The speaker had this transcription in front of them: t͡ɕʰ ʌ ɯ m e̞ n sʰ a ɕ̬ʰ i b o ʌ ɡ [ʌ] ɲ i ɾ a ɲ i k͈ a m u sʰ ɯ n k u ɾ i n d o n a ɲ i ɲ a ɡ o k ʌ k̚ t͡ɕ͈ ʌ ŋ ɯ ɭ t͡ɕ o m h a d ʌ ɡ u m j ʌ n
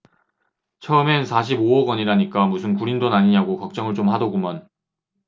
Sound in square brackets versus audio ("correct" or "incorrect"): correct